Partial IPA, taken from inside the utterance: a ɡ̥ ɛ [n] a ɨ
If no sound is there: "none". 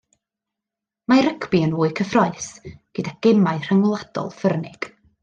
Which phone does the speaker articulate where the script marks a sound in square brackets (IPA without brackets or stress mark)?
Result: m